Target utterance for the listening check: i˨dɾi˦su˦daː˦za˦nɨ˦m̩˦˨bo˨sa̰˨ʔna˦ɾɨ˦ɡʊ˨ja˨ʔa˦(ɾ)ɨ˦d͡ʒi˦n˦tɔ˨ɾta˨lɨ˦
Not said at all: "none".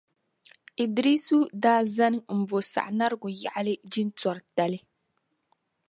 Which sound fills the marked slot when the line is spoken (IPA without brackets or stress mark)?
l